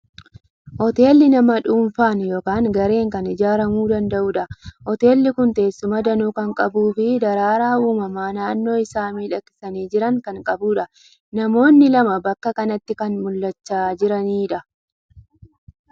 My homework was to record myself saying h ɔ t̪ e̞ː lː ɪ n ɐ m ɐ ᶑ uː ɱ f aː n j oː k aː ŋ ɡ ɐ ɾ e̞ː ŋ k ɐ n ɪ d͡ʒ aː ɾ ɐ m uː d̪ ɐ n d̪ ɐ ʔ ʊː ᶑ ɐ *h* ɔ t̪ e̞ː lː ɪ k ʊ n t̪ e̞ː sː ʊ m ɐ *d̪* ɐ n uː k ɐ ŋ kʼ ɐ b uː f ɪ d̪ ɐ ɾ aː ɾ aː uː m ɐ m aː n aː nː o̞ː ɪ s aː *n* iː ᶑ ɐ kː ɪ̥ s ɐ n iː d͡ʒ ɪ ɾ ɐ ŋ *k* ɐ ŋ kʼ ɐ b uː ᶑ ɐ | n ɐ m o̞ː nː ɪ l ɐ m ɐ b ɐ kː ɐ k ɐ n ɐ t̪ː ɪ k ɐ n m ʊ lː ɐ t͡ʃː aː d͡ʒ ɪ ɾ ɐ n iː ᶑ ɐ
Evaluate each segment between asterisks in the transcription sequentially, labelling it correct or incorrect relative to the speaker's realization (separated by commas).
correct, correct, incorrect, correct